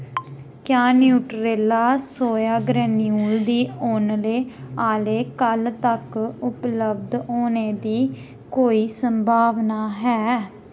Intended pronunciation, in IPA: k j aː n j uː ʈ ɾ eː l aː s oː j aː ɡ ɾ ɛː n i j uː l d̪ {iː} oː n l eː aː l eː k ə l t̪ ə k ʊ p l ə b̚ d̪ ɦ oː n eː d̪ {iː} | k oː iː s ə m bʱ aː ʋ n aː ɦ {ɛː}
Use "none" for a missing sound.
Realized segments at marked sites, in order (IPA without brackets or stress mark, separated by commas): iː, iː, ɛː